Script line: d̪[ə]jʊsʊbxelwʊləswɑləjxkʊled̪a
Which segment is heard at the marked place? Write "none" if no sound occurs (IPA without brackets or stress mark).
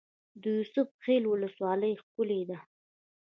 ə